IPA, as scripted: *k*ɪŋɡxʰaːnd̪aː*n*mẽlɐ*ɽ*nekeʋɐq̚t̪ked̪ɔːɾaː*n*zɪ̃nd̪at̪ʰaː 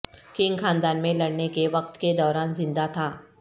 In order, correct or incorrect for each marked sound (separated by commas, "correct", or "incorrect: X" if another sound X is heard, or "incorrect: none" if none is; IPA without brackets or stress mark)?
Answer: correct, correct, correct, correct